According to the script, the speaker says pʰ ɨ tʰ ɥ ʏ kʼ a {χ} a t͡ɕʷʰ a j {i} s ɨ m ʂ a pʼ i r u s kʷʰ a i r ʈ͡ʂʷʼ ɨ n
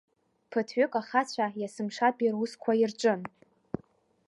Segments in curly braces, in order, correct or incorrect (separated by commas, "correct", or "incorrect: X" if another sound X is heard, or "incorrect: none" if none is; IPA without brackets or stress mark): correct, incorrect: a